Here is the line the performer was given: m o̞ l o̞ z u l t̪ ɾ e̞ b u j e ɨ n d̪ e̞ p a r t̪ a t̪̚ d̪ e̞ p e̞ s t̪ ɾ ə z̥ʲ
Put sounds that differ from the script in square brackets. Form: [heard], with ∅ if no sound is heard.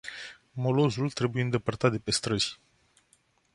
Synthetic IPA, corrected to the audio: m o̞ l o̞ z u l t̪ ɾ e̞ b u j e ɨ n d̪ e̞ p [ə] r t̪ a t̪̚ d̪ e̞ p e̞ s t̪ ɾ ə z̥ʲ